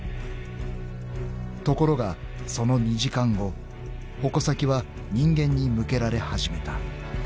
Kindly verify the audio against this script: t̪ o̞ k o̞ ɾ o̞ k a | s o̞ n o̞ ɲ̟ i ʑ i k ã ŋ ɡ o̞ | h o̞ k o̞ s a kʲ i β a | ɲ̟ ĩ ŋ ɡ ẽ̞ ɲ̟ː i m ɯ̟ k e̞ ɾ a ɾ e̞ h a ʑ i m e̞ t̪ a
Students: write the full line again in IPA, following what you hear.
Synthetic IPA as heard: t̪ o̞ k o̞ ɾ o̞ ɡ a | s o̞ n o̞ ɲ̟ i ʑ i k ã ŋ ɡ o̞ | h o̞ k o̞ s a kʲ i β a | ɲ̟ ĩ ŋ ɡ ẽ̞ ɲ̟ː i m ɯ̟ k e̞ ɾ a ɾ e̞ h a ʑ i m e̞ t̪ a

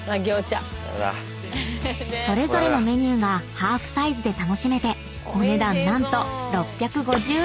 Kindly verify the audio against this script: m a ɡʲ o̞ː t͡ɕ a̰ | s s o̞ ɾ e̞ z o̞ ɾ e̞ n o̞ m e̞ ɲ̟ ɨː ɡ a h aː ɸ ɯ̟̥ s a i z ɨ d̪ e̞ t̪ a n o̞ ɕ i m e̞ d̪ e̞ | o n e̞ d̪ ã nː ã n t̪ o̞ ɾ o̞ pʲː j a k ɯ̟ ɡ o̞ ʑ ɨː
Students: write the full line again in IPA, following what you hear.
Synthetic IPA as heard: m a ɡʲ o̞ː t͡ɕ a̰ | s s o̞ ɾ e̞ z o̞ ɾ e̞ n o̞ m e̞ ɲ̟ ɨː ɡ a h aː ɸ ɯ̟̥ s a i z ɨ d̪ e̞ t̪ a n o̞ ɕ i m e̞ t̪ e̞ | o n e̞ d̪ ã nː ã n t̪ o̞ ɾ o̞ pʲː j a k ɯ̟ ɡ o̞ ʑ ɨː

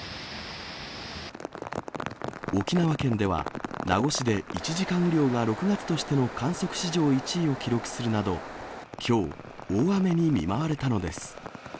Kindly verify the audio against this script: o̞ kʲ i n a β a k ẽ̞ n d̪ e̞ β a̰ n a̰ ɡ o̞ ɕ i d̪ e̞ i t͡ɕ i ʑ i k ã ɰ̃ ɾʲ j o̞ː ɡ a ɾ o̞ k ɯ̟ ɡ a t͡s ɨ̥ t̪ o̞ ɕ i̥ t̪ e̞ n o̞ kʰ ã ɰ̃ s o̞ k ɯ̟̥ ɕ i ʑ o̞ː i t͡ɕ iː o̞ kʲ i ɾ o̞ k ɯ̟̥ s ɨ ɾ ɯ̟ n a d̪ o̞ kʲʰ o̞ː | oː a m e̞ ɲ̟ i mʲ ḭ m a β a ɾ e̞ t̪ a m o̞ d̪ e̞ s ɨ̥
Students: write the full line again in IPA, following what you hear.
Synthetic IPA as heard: o̞ kʲ i n a β a k ẽ̞ n d̪ e̞ β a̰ n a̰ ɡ o̞ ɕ i d̪ e̞ i t͡ɕ i ʑ i k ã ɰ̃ ɾʲ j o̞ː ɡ a ɾ o̞ k ɯ̟ ɡ a t͡s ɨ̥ t̪ o̞ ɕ i̥ t̪ e̞ n o̞ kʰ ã ɰ̃ s o̞ k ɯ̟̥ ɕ i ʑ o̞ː i t͡ɕ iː o̞ kʲ i ɾ o̞ k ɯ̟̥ s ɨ ɾ ɯ̟ n a d̪ o̞ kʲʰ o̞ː | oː a m e̞ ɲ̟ i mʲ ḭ m a β a ɾ e̞ t̪ a n o̞ d̪ e̞ s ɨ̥

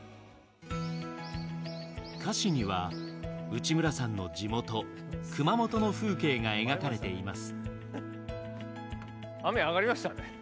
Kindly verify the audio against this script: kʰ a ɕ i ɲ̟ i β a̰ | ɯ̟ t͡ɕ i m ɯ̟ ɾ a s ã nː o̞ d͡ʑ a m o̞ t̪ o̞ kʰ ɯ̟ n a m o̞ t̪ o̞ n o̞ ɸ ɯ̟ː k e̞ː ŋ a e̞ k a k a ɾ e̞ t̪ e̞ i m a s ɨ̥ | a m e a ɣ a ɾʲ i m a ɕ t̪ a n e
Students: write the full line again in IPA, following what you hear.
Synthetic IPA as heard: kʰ a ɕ i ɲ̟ i β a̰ | ɯ̟ t͡ɕ i m ɯ̟ ɾ a s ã nː o̞ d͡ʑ i m o̞ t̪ o̞ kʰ ɯ̟ m a m o̞ t̪ o̞ n o̞ ɸ ɯ̟ː k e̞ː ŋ a e̞ ɡ a k a ɾ e̞ t̪ e̞ i m a s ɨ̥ | a m e a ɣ a ɾʲ i m a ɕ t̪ a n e

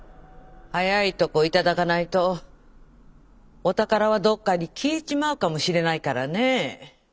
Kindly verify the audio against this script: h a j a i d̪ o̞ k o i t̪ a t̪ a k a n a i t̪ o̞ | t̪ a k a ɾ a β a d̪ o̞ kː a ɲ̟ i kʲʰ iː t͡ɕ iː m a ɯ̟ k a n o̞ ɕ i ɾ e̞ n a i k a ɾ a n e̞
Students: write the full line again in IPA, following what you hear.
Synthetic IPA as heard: h a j a i t̪ o̞ k o i t̪ a d̪ a k a n a i t̪ o̞ | t̪ a k a ɾ a β a d̪ o̞ kː a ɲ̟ i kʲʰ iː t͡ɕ i m a ɯ̟ k a m o̞ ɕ i ɾ e̞ n a i k a ɾ a n e̞

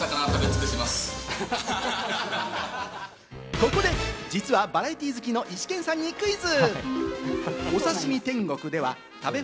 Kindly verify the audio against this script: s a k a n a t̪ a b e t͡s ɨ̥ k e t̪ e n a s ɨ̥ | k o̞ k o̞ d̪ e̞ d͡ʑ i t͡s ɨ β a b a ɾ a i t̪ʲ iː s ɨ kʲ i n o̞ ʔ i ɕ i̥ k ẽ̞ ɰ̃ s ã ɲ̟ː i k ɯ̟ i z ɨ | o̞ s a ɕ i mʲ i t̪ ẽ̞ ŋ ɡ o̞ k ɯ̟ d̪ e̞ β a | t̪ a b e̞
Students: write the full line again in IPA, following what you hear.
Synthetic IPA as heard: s a k a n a t̪ a b e t͡s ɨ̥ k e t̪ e m a s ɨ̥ | k o̞ k o̞ d̪ e̞ d͡ʑ i t͡s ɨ β a b a ɾ a i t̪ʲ iː z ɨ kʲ i n o̞ ʔ i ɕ i̥ k ẽ̞ ɰ̃ s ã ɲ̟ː i k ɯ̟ i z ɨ | o̞ s a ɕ i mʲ i t̪ ẽ̞ ŋ ɡ o̞ k ɯ̟ d̪ e̞ β a | t̪ a b e̞

